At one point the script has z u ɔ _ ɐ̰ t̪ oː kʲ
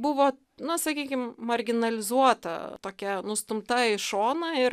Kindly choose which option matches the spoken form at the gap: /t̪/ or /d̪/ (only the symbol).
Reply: t̪